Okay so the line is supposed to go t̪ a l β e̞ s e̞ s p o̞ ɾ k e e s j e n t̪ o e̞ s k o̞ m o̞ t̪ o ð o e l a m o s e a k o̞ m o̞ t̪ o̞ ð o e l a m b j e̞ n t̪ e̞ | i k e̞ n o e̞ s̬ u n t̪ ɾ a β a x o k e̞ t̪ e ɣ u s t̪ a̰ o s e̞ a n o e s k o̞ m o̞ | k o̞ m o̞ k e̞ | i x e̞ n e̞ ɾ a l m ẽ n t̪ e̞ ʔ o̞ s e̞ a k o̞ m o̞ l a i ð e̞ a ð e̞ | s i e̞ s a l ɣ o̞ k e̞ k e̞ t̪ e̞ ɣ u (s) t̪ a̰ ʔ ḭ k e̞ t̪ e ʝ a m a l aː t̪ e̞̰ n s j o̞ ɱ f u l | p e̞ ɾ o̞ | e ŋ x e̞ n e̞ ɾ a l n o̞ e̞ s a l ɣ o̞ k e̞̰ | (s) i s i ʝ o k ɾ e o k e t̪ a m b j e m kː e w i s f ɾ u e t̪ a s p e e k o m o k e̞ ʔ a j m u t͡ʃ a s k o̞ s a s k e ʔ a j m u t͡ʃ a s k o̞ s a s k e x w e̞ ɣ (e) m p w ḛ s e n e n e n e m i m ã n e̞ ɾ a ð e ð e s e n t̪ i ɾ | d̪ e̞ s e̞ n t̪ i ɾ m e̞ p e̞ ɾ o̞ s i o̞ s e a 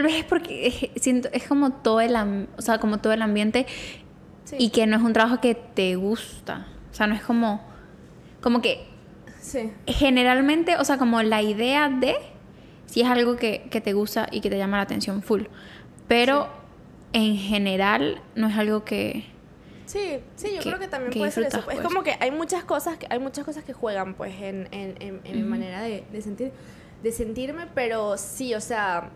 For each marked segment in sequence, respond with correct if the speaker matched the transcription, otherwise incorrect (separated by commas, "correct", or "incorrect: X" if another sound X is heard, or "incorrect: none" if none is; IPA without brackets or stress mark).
correct, correct, incorrect: a